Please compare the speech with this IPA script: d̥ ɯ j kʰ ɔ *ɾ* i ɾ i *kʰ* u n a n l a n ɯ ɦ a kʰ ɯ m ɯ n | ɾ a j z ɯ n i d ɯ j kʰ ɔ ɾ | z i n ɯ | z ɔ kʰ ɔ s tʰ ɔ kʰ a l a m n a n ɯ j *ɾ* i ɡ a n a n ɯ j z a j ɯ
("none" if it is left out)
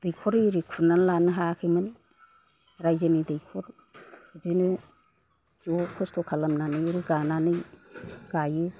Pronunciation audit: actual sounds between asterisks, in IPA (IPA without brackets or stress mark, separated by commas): ɾ, kʰ, ɾ